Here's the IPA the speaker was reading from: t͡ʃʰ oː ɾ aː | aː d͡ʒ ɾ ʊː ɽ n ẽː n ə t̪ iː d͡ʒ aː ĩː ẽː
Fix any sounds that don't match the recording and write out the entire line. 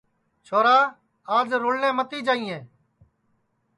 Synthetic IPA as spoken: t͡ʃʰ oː ɾ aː | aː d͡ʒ ɾ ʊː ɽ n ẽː m ə t̪ iː d͡ʒ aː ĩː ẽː

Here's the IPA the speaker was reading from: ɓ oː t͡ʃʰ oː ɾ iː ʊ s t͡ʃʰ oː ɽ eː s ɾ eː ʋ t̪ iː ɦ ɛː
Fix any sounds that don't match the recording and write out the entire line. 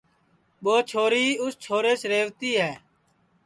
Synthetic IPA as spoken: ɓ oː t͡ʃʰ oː ɾ iː ʊ s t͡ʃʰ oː ɾ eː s ɾ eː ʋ t̪ iː ɦ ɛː

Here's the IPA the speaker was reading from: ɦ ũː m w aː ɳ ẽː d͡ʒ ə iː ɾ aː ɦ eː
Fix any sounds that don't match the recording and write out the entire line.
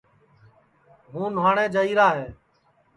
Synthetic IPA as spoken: ɦ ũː n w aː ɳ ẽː d͡ʒ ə iː ɾ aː ɦ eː

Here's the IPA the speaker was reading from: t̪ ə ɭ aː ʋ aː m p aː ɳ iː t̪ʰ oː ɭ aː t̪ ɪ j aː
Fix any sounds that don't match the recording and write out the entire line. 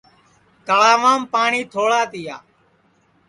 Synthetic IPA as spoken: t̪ ə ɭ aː ʋ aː m p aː ɳ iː t̪ʰ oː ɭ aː t̪ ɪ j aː

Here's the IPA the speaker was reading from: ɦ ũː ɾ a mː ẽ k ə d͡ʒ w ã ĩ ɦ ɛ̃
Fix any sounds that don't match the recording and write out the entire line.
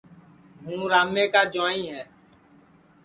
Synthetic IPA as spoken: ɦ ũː ɾ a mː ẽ k a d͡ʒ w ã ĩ ɦ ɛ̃

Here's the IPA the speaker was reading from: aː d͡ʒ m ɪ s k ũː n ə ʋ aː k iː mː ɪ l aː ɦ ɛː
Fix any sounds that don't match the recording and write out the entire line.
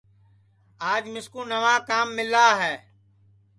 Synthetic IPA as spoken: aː d͡ʒ m ɪ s k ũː n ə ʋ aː k aː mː ɪ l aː ɦ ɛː

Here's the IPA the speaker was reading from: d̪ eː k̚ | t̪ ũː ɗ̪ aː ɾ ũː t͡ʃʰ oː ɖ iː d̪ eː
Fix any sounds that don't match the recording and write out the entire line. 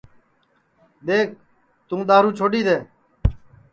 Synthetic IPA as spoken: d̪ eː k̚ | t̪ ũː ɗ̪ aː ɾ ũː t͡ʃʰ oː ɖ iː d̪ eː

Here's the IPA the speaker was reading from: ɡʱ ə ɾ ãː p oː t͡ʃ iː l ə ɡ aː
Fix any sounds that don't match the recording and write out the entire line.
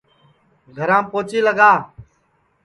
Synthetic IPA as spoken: ɡʱ ə ɾ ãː p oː t͡ʃ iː l ə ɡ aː

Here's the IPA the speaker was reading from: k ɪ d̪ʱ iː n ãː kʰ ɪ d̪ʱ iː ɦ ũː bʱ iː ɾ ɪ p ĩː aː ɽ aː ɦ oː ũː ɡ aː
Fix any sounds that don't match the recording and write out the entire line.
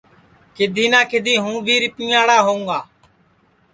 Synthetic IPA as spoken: k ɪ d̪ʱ iː n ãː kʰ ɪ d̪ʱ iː ɦ ũː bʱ iː ɾ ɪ p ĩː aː ɽ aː ɦ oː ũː ɡ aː

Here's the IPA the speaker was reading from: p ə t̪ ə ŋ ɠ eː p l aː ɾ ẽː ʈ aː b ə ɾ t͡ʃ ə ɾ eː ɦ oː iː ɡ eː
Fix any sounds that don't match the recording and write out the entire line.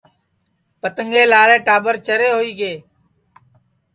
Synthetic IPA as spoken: p ə t̪ ə ŋ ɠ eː l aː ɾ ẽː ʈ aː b ə ɾ t͡ʃ ə ɾ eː ɦ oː iː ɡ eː

